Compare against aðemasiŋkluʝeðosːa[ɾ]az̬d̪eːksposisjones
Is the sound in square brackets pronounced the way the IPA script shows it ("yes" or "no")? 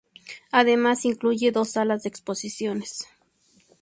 no